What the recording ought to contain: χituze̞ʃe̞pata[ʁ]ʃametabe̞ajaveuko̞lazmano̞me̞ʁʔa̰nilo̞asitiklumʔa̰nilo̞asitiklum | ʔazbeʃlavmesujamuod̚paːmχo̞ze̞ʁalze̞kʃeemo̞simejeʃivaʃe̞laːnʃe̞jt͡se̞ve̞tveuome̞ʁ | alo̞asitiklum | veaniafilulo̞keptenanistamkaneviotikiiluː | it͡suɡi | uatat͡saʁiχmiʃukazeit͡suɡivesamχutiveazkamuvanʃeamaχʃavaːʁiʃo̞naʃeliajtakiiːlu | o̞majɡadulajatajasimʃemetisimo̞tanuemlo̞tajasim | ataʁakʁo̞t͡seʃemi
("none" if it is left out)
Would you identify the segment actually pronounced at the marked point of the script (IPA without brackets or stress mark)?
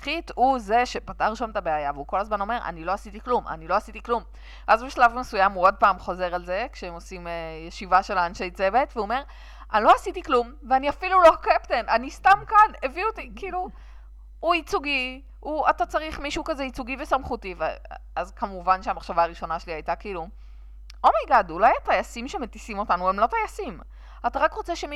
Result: ʁ